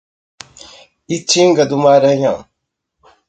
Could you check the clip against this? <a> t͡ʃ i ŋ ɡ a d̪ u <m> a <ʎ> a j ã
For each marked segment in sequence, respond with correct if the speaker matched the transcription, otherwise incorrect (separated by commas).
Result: incorrect, correct, incorrect